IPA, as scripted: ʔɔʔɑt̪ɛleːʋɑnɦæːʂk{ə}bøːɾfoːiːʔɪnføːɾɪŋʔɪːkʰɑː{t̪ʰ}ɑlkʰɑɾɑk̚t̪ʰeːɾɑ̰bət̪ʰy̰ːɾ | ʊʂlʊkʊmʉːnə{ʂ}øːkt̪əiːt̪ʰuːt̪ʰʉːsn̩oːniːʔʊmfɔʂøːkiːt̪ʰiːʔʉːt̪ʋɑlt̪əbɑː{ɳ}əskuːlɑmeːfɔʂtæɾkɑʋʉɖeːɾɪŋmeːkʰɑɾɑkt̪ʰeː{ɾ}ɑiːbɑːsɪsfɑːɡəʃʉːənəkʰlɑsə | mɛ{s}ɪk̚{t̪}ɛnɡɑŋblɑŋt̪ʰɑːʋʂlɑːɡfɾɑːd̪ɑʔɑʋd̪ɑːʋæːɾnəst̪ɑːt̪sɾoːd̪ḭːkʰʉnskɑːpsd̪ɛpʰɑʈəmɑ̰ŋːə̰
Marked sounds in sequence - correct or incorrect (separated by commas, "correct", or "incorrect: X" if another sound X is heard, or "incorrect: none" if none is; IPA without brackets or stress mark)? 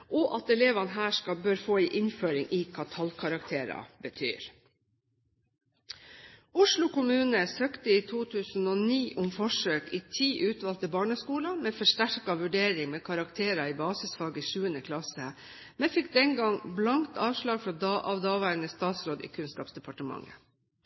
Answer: incorrect: ɑ, correct, incorrect: s, correct, correct, incorrect: f, incorrect: d̪